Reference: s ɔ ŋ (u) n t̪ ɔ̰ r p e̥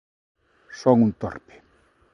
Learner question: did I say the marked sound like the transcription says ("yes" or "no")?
yes